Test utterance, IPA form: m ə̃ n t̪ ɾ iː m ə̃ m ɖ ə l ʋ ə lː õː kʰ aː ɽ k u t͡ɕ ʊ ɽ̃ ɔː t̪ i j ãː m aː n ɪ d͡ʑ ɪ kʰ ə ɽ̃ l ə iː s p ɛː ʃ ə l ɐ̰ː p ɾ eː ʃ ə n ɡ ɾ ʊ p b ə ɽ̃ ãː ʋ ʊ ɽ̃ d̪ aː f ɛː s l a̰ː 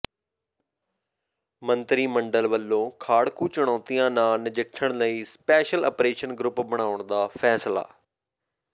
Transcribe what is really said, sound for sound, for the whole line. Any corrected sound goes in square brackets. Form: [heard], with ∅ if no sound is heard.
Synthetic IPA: m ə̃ n t̪ ɾ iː m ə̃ [ɳ] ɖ ə l ʋ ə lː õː kʰ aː ɽ k u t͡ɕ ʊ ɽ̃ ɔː t̪ i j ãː [n] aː n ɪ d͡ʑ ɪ [ʈʰ] ə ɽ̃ l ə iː s p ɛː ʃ ə l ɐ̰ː p ɾ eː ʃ ə n ɡ ɾ ʊ p b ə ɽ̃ [aː] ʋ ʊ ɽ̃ d̪ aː f ɛː s l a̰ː